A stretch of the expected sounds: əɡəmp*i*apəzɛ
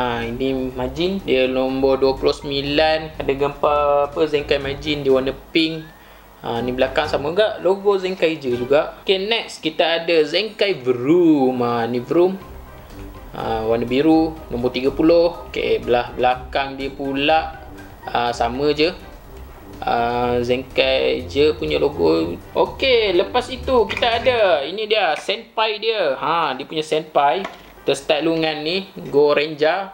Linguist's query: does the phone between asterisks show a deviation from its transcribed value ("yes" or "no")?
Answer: yes